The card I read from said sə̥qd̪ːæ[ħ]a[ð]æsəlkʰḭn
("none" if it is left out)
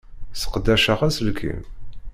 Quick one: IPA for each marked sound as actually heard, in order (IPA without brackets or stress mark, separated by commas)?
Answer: ʃ, ʁ